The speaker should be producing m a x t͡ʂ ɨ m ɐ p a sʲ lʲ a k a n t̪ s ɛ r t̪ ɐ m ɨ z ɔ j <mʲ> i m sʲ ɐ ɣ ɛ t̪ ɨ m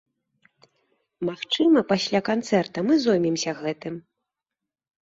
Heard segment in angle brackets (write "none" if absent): mʲ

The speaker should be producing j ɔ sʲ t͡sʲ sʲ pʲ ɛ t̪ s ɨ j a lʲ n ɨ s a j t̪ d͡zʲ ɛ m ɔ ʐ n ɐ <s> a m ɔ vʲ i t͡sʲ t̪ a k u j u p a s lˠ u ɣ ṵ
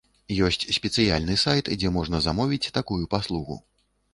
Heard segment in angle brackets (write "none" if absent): z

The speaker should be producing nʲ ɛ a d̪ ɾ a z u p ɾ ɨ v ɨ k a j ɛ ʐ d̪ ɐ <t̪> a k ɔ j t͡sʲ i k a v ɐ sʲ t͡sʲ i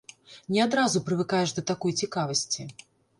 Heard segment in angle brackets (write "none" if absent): t̪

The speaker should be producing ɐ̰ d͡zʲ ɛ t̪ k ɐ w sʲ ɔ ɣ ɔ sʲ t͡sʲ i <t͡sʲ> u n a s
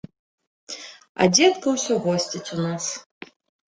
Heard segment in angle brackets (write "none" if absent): t͡sʲ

